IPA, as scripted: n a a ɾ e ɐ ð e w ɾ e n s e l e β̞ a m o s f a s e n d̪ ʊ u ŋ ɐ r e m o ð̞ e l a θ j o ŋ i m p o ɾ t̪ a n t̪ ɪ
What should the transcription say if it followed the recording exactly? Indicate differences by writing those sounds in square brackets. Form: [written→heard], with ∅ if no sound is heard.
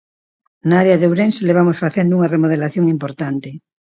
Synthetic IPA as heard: n a a ɾ e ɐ ð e w ɾ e n s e l e β̞ a m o s f a [s→θ] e n d̪ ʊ u ŋ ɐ r e m o ð̞ e l a θ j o ŋ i m p o ɾ t̪ a n t̪ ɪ